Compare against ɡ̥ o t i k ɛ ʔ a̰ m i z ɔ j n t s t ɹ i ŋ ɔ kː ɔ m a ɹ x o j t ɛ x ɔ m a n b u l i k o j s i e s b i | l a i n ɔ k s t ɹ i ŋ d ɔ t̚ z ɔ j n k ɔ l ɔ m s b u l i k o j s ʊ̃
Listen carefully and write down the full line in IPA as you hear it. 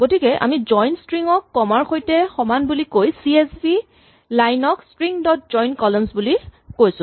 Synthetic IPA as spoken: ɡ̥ o t i k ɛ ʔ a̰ m i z ɔ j n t s t ɹ i ŋ ɔ kː ɔ m a ɹ x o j t ɛ x ɔ m a n b u l i k o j s i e s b i | l a j n ɔ k s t ɹ i ŋ d ɔ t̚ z ɔ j n k ɔ l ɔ m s b u l i k o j s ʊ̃